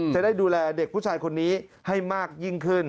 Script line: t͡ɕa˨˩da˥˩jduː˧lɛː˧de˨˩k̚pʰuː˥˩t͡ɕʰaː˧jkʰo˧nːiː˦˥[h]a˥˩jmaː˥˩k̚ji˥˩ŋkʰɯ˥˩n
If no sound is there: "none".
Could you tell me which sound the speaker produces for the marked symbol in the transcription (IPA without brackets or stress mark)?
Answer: h